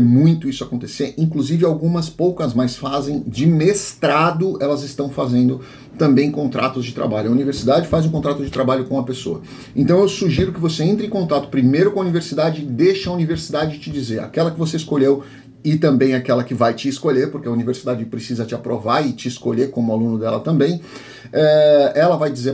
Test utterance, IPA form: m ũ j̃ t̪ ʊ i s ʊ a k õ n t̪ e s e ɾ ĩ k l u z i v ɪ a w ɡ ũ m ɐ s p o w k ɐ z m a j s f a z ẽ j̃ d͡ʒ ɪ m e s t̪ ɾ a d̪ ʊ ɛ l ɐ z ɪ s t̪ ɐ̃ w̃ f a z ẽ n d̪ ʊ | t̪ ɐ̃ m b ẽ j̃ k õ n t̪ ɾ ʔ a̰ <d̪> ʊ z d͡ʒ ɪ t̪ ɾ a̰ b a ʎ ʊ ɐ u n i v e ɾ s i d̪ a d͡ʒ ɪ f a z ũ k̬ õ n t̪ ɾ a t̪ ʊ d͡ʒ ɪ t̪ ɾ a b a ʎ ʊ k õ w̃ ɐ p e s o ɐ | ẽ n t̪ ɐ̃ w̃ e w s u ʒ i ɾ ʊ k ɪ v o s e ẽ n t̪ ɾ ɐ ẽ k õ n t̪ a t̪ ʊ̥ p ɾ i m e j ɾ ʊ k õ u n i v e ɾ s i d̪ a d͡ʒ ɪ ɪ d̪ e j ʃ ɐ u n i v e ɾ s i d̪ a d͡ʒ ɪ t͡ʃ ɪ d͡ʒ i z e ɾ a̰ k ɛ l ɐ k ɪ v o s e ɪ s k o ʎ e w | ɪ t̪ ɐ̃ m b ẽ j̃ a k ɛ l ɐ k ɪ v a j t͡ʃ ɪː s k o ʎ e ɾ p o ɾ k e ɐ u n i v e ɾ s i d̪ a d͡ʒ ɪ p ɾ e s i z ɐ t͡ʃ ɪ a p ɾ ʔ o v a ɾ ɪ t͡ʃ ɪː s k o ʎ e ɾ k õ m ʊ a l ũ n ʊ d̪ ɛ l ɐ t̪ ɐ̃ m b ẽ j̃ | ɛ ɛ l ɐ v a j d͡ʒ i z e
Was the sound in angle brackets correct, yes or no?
no